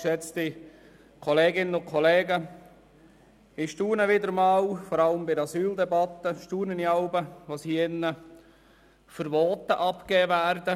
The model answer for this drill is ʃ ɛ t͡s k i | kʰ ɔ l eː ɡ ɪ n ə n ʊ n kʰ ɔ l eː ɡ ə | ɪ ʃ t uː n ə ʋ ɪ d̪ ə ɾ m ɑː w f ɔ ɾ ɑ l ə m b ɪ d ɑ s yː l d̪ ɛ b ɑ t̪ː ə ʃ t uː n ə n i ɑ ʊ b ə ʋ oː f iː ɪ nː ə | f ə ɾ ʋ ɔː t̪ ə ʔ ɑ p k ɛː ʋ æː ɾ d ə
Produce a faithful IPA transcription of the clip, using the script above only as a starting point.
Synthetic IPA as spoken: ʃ ɛ t͡s t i | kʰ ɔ l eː ɡ ɪ n ə n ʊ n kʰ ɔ l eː ɡ ə | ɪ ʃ t uː n ə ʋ ɪ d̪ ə ɾ m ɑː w f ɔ ɾ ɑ l ə m b ɪ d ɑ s yː l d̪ ɛ b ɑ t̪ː ə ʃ t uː n ə n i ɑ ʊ b ə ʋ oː s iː ɪ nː ə | f ə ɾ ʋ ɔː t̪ ə ʔ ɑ p k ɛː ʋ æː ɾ d ə